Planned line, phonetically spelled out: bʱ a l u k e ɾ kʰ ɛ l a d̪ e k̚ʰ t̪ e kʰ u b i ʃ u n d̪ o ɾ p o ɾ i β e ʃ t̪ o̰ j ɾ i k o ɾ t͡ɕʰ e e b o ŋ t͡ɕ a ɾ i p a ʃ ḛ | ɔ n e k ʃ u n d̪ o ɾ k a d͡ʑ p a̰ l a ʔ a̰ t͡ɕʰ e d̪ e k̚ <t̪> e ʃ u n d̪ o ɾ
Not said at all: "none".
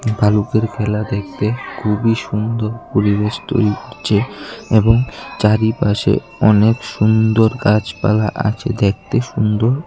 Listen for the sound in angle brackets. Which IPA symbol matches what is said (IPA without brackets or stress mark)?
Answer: t̪